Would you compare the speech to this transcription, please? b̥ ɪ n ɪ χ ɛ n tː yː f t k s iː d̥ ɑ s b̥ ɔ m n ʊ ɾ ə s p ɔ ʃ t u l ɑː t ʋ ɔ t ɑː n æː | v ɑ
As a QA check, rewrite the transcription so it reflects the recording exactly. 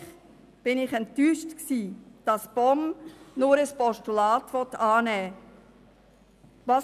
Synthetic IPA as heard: b̥ ɪ n ɪ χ ɛ n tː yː ʃ t k s iː d̥ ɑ s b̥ ɔ m n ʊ ɾ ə s p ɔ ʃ t u l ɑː t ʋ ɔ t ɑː n ɛː | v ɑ